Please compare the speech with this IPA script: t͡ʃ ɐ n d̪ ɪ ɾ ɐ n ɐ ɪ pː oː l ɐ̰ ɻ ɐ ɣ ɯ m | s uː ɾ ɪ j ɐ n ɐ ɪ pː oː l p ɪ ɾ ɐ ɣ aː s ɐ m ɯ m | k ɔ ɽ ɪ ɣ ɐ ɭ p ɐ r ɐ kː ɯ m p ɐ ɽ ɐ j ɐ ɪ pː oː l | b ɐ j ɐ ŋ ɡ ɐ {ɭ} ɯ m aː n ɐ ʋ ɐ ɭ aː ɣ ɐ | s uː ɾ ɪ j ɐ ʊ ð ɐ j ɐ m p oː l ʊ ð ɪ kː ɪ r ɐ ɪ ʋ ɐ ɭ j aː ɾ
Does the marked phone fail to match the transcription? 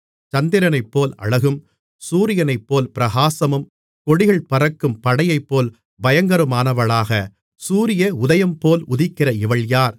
yes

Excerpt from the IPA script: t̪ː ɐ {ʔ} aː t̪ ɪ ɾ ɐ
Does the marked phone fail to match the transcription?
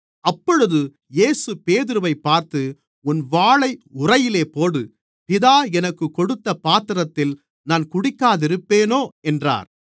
yes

